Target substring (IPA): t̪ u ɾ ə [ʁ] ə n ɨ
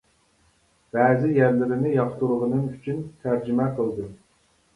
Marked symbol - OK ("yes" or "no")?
yes